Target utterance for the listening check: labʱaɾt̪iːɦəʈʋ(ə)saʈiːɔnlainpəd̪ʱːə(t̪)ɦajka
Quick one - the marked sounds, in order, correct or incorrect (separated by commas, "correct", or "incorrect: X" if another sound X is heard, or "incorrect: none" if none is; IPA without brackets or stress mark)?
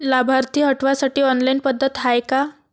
incorrect: a, correct